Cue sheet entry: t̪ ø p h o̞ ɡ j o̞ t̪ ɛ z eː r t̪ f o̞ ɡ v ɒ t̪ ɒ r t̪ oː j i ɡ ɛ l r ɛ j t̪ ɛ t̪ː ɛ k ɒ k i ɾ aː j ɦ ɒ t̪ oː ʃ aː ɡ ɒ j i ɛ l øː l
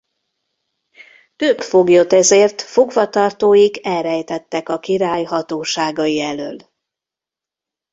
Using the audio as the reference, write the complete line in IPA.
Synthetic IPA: t̪ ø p f o̞ ɡ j o̞ t̪ ɛ z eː r t̪ f o̞ ɡ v ɒ t̪ ɒ r t̪ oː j i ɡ ɛ l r ɛ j t̪ ɛ t̪ː ɛ k ɒ k i ɾ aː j ɦ ɒ t̪ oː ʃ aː ɡ ɒ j i ɛ l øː l